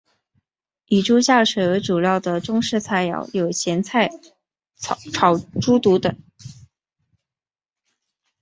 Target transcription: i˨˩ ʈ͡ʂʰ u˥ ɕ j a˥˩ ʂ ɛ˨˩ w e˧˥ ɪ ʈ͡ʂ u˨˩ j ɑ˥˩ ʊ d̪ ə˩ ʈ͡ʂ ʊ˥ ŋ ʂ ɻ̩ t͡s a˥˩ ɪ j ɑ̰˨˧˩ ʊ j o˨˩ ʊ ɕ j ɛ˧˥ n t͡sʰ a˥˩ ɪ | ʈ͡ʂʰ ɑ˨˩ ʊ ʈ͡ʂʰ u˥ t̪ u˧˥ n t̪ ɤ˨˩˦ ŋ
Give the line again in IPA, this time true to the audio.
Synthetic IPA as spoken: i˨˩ ʈ͡ʂ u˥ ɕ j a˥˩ ʂ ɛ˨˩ w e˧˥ ɪ ʈ͡ʂ u˨˩ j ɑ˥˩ ʊ d̪ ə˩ ʈ͡ʂ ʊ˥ ŋ ʂ ɻ̩ t͡sʰ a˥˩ ɪ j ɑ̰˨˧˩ ʊ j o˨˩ ʊ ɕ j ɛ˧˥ n t͡sʰ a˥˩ ɪ | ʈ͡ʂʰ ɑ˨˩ ʊ ʈ͡ʂ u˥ t̪ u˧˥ t̪ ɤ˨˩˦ ŋ

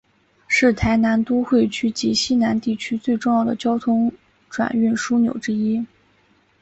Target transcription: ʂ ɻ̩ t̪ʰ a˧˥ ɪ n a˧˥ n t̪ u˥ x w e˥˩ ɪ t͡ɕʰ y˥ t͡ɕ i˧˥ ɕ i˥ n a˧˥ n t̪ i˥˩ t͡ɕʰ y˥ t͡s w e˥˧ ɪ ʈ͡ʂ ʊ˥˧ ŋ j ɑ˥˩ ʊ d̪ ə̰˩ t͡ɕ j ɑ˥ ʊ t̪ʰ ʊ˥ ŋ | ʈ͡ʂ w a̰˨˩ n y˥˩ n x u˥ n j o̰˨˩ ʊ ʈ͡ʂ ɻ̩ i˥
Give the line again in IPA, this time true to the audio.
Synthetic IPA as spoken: ʂ ɻ̩ t̪ʰ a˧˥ ɪ n a˧˥ n t̪ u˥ x w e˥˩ ɪ t͡ɕʰ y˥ t͡ɕ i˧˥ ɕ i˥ n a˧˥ n t̪ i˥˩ t͡ɕʰ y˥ t͡s w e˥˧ ɪ ʈ͡ʂ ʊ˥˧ ŋ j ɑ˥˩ ʊ d̪ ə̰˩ t͡ɕ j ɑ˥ ʊ t̪ʰ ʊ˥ ŋ | ʈ͡ʂ w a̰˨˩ n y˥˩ n ʂ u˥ n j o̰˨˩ ʊ ʈ͡ʂ ɻ̩ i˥

